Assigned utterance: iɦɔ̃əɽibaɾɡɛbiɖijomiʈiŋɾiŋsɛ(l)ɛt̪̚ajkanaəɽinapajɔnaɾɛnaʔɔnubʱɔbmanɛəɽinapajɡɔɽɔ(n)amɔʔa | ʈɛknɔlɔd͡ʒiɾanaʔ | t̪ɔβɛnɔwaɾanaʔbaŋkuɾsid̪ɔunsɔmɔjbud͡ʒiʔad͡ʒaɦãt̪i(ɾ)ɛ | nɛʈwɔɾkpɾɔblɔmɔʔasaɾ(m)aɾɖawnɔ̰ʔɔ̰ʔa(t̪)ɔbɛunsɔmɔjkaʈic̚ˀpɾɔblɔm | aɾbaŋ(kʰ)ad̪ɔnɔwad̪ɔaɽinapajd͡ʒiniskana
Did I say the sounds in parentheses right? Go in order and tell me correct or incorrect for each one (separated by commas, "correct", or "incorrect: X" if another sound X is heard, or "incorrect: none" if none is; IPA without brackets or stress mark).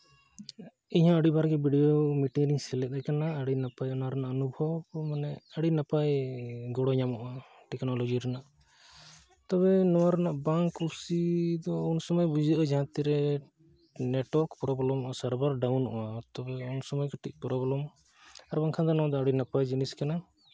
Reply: correct, incorrect: ɲ, correct, incorrect: b, correct, correct